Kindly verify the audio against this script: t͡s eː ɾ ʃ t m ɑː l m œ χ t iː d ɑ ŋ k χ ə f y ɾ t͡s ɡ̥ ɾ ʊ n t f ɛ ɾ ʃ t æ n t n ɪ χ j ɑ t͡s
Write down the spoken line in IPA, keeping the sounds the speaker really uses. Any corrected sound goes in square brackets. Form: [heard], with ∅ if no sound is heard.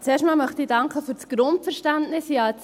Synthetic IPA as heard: t͡s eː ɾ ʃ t m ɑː l m œ χ t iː d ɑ ŋ k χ ə f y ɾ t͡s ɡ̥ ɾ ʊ n t f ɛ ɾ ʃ t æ n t n ɪ [s] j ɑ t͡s